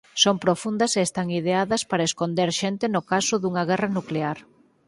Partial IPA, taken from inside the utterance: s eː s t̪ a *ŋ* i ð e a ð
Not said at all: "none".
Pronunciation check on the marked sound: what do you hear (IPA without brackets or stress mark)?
ŋ